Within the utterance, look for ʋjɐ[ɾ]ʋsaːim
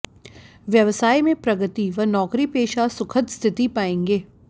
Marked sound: incorrect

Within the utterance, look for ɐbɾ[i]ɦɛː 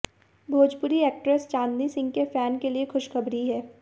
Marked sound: correct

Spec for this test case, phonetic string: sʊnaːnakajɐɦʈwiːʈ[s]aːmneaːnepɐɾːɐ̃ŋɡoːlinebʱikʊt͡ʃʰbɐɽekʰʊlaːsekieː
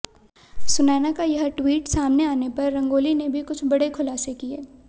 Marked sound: correct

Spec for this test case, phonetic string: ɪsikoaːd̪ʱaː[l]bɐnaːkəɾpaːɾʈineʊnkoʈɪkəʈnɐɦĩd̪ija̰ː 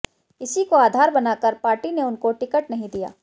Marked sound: incorrect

